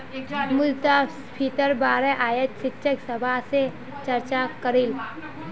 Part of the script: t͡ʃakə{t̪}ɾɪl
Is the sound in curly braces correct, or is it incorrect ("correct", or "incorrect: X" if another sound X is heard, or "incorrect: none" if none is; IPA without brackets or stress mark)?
incorrect: none